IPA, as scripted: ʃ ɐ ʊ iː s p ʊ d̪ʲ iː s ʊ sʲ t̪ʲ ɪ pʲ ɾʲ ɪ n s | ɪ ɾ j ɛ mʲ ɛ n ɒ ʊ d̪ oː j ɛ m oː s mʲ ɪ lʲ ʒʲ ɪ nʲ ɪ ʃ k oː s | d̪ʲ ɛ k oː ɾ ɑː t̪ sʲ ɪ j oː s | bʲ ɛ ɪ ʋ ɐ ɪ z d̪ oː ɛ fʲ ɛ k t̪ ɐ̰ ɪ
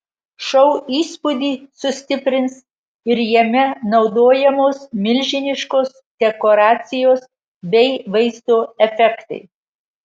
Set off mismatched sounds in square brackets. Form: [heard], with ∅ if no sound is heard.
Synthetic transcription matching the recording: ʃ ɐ ʊ iː s p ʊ d̪ʲ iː s ʊ sʲ t̪ʲ ɪ pʲ ɾʲ ɪ n s | ɪ ɾ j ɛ mʲ ɛ n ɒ ʊ d̪ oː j ɛ m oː s mʲ ɪ lʲ ʒʲ ɪ nʲ ɪ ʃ k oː s | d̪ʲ ɛ k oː ɾ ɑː t̪ sʲ ɪ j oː s | bʲ ɛ ɪ ʋ ɐ ɪ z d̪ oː ɛ fʲ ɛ k t̪ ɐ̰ ɪ